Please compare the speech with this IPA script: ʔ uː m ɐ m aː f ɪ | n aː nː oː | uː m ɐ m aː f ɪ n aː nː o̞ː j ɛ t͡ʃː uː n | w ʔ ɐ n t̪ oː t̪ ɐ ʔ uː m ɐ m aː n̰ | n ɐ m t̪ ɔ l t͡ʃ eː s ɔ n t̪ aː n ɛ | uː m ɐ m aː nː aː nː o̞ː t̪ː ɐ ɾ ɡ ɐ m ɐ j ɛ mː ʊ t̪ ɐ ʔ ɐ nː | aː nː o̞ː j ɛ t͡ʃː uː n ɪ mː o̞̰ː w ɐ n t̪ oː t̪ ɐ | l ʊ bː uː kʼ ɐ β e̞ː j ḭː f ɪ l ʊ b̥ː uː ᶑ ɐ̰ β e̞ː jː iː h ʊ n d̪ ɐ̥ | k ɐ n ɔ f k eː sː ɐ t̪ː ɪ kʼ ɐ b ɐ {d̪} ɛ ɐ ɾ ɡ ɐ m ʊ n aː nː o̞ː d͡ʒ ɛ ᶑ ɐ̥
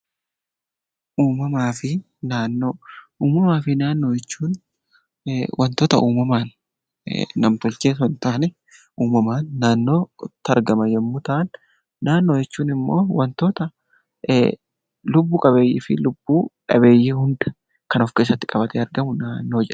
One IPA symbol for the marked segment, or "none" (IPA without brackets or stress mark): t̪